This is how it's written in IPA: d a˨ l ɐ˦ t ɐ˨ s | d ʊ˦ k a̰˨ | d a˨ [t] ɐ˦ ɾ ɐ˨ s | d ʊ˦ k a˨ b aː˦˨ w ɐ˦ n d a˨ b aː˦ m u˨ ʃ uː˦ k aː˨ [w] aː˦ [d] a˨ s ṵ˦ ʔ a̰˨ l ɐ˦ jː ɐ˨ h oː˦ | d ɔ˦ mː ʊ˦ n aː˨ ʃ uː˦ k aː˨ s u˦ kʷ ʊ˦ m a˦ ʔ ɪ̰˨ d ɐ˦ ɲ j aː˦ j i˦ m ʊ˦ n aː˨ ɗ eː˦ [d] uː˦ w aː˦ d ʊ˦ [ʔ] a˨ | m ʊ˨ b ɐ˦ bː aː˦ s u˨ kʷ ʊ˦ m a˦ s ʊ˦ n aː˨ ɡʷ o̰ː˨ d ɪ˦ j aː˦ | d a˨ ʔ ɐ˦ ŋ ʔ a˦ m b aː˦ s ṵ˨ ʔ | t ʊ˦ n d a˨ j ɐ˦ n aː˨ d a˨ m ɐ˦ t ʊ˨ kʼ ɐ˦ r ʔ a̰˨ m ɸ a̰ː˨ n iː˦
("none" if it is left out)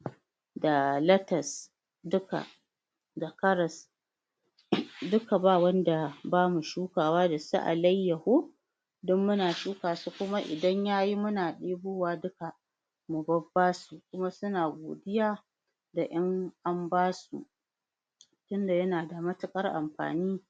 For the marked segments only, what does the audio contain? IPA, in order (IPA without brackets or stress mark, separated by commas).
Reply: k, w, d, b, k